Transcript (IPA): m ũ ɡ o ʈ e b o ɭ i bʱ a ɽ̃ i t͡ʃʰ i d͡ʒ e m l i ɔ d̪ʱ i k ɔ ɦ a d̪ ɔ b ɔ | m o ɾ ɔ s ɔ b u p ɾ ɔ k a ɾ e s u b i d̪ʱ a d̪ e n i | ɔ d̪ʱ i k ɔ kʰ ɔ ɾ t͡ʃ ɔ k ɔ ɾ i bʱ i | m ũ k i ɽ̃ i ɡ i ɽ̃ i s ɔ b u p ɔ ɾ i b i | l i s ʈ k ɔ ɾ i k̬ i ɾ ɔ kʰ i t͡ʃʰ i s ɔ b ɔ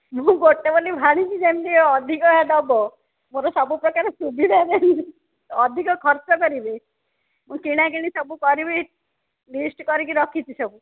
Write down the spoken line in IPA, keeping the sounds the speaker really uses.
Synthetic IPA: m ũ ɡ o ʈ e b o l i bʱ a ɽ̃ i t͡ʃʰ i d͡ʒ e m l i ɔ d̪ʱ i k ɔ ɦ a d̪ ɔ b ɔ | m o ɾ ɔ s ɔ b u p ɾ ɔ k a ɾ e s u b i d̪ʱ a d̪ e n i | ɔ d̪ʱ i k ɔ kʰ ɔ ɾ t͡ʃ ɔ k ɔ ɾ i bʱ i | m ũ k i ɽ̃ a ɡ i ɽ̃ i s ɔ b u k ɔ ɾ i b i | l i s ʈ k ɔ ɾ i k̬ i ɾ ɔ kʰ i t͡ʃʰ i s ɔ b u